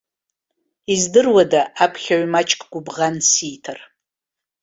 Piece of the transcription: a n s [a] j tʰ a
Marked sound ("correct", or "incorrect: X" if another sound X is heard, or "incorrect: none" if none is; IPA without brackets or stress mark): incorrect: i